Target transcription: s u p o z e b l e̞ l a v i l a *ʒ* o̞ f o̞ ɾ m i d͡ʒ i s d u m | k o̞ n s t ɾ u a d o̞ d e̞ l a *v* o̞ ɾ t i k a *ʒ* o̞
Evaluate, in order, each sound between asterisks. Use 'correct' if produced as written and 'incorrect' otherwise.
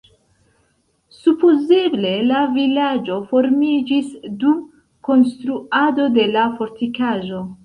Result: incorrect: d͡ʒ, incorrect: f, correct

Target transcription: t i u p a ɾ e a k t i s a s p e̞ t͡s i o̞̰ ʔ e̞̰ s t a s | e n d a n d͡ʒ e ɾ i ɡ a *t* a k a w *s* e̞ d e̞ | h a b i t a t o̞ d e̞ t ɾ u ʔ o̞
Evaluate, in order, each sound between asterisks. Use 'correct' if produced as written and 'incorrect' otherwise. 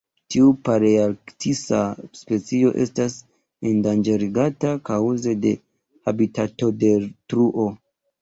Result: correct, incorrect: z

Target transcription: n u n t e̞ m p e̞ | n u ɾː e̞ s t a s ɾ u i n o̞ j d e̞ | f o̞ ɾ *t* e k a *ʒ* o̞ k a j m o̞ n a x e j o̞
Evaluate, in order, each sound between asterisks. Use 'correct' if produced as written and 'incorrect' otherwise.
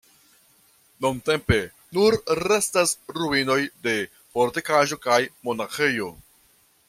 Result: correct, correct

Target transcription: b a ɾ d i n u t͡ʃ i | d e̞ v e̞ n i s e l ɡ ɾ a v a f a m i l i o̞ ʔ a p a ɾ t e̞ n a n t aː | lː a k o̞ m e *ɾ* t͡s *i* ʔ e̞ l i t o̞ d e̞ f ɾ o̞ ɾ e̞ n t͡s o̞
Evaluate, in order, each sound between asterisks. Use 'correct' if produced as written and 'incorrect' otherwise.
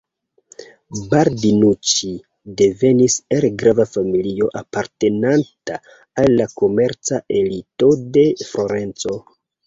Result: correct, incorrect: a

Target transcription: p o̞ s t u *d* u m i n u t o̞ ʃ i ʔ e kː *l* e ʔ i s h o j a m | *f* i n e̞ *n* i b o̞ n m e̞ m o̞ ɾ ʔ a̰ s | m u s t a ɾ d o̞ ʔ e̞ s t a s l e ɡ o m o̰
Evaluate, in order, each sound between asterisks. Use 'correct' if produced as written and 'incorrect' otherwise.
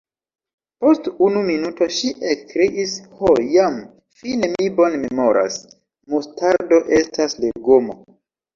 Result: incorrect: n, incorrect: ɾ, correct, incorrect: m

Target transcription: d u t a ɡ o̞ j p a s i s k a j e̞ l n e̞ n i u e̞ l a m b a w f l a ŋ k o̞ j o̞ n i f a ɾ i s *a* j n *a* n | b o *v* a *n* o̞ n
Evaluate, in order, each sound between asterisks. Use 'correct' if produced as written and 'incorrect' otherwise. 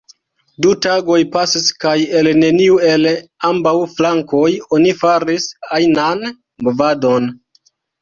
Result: correct, correct, correct, incorrect: d

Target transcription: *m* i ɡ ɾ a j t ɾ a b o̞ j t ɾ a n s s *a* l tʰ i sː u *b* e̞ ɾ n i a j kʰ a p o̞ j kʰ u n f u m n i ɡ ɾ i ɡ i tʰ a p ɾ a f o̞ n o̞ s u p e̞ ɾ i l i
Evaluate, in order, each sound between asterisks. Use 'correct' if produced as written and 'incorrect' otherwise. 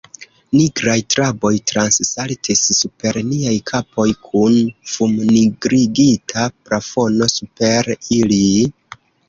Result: incorrect: n, correct, incorrect: p

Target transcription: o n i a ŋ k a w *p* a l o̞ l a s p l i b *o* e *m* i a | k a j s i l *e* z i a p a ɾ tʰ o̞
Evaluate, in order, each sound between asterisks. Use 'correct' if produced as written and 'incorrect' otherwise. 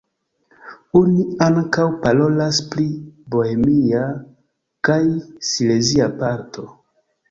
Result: correct, correct, correct, correct

